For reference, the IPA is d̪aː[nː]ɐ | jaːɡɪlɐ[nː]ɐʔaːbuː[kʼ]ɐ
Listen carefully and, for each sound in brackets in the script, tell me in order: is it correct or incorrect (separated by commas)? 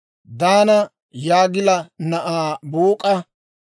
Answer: incorrect, incorrect, correct